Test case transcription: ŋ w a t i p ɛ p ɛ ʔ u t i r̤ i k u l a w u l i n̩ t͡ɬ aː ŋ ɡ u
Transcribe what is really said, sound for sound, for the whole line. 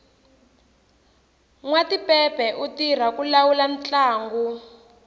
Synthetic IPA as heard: ŋ w a t i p ɛ p ɛ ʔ u t i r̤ a k u l a w u l a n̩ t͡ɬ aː ŋ ɡ u